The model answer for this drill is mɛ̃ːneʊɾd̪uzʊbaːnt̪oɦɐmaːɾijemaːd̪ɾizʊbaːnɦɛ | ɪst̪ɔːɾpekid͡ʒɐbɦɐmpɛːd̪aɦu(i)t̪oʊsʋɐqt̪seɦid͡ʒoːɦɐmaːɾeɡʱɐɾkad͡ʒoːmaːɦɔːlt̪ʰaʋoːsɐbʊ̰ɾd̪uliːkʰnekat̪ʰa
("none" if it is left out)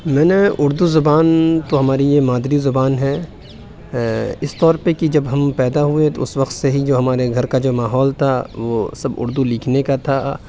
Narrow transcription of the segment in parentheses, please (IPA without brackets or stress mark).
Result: e